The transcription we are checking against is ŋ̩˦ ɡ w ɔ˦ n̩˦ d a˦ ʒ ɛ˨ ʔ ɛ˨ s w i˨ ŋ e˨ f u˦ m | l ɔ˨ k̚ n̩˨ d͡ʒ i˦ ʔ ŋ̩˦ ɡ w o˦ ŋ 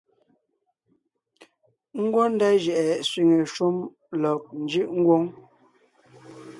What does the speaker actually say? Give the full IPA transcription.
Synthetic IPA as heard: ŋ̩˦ ɡ w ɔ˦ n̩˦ d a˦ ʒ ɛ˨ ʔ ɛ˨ s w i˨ ŋ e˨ ʃ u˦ m | l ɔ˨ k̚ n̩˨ d͡ʒ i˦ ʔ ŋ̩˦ ɡ w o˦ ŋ